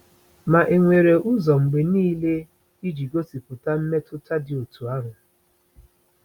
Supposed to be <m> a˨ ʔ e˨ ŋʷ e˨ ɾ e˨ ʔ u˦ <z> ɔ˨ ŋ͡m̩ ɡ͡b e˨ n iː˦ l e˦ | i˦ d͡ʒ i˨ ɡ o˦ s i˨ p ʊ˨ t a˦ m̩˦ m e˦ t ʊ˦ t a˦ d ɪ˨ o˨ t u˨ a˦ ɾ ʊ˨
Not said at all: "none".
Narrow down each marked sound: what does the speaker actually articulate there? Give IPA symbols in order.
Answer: m, z

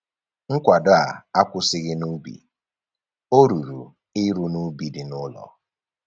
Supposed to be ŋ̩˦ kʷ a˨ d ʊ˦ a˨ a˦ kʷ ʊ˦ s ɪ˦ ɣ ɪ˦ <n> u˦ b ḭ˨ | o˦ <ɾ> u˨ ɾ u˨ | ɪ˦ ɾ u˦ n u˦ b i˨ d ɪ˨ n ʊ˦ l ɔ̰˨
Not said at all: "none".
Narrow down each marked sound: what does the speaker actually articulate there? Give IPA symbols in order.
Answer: n, ɾ

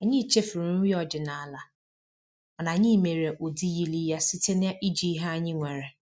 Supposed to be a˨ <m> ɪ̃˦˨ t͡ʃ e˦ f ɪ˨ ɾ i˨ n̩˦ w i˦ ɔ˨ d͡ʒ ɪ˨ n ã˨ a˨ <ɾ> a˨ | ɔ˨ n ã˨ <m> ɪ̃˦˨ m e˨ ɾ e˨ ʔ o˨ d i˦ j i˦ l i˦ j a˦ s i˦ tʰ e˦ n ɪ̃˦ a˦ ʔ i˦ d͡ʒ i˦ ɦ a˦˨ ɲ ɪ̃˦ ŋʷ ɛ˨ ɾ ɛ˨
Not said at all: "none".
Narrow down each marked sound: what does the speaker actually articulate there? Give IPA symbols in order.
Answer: ɲ, l, ɲ

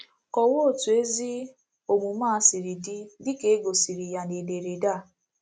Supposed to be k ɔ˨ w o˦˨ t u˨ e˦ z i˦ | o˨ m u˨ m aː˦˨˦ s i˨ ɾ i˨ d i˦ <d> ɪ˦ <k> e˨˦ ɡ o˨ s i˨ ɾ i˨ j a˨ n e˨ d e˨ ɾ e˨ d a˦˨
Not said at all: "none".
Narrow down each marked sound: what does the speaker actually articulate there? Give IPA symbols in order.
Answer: d, k

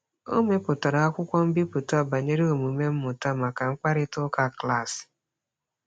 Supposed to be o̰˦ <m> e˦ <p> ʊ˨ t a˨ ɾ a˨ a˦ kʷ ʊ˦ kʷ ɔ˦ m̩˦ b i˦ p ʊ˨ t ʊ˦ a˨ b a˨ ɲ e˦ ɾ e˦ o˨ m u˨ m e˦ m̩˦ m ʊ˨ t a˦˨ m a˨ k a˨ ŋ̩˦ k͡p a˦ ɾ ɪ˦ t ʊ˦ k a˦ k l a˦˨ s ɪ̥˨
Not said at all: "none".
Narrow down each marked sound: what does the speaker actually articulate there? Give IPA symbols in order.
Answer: m, p

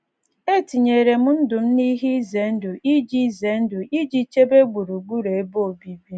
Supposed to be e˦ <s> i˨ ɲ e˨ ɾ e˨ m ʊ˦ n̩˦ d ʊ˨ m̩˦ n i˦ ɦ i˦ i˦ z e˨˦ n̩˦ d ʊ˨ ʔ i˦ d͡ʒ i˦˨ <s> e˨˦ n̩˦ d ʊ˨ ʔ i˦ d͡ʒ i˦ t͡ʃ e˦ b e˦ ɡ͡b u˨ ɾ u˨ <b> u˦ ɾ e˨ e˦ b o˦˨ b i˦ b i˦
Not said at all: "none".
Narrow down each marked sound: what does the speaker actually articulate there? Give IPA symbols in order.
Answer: t, z, ɡ͡b

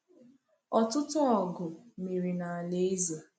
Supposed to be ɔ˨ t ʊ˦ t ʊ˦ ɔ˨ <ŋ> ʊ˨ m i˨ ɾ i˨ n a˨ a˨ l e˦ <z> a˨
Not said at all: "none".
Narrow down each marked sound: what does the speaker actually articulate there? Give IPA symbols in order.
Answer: ɡ, z

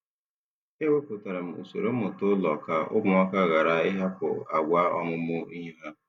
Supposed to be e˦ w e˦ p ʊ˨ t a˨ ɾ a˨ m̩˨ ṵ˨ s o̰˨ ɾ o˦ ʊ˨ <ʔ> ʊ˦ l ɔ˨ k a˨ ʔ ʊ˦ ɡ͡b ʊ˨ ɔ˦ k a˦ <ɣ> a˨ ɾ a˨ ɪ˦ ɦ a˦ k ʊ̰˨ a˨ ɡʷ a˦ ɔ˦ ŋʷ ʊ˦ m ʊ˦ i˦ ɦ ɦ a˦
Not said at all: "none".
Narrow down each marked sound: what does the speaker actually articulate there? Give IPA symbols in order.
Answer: t, ɣ

